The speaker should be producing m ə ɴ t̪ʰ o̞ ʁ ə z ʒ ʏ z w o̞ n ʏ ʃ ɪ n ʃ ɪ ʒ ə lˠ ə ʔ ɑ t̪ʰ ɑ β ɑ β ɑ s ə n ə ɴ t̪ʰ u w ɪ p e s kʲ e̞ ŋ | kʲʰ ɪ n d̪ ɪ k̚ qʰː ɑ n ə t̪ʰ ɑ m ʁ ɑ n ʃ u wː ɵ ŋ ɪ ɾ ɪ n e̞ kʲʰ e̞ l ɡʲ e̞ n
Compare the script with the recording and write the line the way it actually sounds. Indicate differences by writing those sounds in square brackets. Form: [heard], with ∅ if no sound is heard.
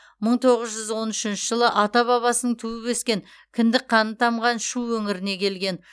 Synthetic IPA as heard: m ə ɴ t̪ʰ o̞ ʁ ə z ʒ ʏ z w o̞ n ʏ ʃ ɪ n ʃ ɪ ʒ ə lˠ ə ʔ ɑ [t̪] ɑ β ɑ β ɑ s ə n ə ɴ t̪ʰ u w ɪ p e s kʲ e̞ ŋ | kʲʰ ɪ n d̪ ɪ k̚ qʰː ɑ n ə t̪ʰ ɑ m ʁ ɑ n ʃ u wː ɵ ŋ ɪ ɾ ɪ n e̞ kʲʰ e̞ l ɡʲ e̞ n